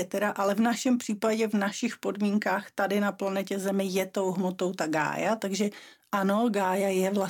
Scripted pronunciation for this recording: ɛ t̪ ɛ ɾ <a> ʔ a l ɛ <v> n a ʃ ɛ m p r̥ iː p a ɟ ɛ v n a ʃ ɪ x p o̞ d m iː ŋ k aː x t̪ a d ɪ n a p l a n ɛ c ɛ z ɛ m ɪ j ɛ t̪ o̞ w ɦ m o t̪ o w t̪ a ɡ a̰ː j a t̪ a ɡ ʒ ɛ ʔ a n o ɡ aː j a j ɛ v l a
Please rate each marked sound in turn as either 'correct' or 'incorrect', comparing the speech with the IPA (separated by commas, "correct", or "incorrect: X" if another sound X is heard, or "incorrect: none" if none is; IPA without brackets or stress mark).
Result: correct, correct